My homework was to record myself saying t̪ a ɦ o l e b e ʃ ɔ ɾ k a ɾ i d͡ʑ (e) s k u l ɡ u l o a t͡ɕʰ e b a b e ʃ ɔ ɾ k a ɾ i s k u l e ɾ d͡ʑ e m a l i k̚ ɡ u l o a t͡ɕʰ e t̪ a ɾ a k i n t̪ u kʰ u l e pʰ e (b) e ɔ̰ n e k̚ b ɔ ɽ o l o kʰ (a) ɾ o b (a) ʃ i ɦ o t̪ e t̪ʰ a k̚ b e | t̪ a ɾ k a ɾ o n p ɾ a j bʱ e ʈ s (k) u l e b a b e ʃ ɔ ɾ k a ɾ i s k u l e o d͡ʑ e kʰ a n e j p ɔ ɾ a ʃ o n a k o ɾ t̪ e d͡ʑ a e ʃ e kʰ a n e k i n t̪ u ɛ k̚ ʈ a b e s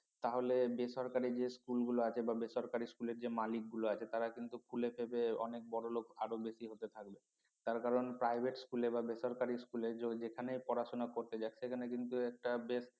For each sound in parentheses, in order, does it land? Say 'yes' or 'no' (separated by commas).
yes, yes, yes, no, yes